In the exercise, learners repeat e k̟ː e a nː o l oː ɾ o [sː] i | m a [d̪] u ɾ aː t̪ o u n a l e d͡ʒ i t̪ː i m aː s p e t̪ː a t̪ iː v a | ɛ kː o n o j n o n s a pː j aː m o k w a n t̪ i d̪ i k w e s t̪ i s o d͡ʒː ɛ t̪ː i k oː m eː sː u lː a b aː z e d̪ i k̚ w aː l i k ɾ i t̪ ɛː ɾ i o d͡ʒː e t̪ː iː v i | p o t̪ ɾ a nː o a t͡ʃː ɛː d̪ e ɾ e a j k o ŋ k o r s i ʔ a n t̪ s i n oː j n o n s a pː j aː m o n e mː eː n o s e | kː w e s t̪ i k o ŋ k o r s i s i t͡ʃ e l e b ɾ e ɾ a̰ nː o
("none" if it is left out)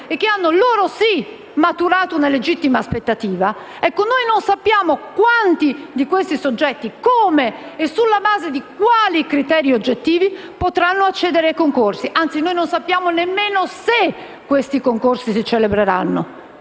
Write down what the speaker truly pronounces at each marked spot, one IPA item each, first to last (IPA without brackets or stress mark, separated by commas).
s, t̪